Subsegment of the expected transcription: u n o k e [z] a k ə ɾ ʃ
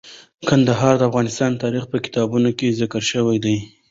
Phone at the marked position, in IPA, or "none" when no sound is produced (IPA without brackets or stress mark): z